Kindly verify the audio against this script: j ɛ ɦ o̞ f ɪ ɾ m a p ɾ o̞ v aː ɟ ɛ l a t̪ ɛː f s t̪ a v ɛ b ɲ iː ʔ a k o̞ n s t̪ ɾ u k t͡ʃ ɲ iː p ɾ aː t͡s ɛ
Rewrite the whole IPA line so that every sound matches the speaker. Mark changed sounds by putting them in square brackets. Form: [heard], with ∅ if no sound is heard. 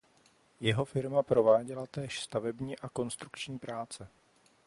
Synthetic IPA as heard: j ɛ ɦ o̞ f ɪ ɾ m a p ɾ o̞ v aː ɟ ɛ l a t̪ ɛː [ʃ] s t̪ a v ɛ b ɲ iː ʔ a k o̞ n s t̪ ɾ u k t͡ʃ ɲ iː p ɾ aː t͡s ɛ